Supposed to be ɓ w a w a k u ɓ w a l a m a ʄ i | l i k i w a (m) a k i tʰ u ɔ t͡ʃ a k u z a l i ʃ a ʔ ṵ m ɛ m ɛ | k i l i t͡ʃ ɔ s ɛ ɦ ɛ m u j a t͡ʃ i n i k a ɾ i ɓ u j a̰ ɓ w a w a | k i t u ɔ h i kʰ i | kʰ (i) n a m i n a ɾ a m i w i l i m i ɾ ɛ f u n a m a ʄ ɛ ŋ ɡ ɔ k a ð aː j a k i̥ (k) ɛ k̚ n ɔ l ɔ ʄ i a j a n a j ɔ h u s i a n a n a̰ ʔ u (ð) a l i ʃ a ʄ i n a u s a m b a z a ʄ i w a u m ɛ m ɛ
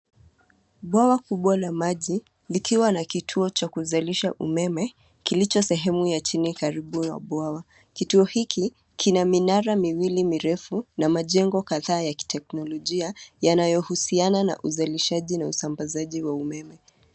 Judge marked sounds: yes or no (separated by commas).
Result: no, yes, no, no